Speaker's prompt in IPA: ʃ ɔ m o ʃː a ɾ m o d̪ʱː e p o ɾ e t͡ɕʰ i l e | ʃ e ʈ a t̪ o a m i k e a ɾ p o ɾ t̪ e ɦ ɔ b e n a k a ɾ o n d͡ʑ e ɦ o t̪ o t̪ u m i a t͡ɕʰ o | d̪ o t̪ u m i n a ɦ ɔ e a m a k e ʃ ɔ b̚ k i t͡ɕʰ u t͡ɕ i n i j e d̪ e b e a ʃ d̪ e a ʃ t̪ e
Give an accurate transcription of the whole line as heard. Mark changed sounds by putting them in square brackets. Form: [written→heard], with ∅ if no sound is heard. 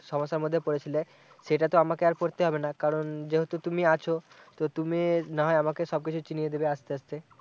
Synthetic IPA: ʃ ɔ m o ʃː a ɾ m o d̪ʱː e p o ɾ e t͡ɕʰ i l e | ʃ e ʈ a t̪ o a m [i→a] k e a ɾ p o ɾ t̪ e ɦ ɔ b e n a k a ɾ o n d͡ʑ e ɦ o t̪ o t̪ u m i a t͡ɕʰ o | [d̪→t̪] o t̪ u m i n a ɦ ɔ e a m a k e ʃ ɔ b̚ k i t͡ɕʰ u t͡ɕ i n i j e d̪ e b e a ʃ [d̪→t̪] e a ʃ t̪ e

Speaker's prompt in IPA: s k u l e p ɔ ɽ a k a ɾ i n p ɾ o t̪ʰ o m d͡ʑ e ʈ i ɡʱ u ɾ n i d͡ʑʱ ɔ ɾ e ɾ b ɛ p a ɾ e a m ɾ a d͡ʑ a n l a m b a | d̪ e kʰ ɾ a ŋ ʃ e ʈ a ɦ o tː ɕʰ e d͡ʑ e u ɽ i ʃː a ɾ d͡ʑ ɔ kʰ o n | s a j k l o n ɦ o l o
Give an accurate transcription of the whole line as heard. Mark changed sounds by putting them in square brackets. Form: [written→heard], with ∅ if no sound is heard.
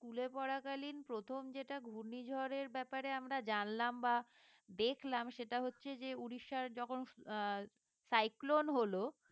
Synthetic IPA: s k u l e p ɔ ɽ a k a [ɾ→l] i n p ɾ o t̪ʰ o m d͡ʑ e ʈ [i→a] ɡʱ u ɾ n i d͡ʑʱ ɔ ɾ e ɾ b ɛ p a ɾ e a m ɾ a d͡ʑ a n l a m b a | d̪ e kʰ [ɾ→l] a [ŋ→m] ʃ e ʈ a ɦ o tː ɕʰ e d͡ʑ e u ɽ i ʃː a ɾ d͡ʑ ɔ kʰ o n | s a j k l o n ɦ o l o

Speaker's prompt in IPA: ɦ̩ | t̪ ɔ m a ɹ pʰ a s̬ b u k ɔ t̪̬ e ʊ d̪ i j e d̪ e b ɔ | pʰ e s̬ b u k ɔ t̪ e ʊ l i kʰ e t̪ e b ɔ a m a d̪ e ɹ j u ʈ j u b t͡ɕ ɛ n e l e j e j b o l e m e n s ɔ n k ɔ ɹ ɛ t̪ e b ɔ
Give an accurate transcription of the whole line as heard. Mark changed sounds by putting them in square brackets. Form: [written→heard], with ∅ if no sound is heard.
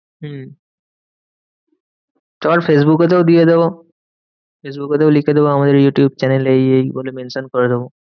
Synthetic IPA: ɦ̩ | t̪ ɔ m a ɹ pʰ [a→e] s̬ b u k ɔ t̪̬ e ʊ d̪ i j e d̪ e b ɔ | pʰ e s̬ b u k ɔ t̪ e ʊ l i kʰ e [t̪→d̪] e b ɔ a m a d̪ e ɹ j u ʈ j u b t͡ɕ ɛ n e l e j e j b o l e m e n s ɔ n k ɔ ɹ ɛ [t̪→d̪] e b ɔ

